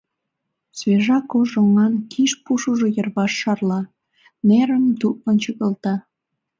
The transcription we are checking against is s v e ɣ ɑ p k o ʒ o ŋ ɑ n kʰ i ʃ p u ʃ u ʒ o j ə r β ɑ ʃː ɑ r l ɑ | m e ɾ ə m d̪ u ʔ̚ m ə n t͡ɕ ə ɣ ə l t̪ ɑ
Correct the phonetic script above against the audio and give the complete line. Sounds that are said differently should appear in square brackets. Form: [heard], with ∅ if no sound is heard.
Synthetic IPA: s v e [ʒ] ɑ [∅] k o ʒ o ŋ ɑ n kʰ i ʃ p u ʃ u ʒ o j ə r β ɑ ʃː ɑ r l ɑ | [n] e ɾ ə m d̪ u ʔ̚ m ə n t͡ɕ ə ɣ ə l t̪ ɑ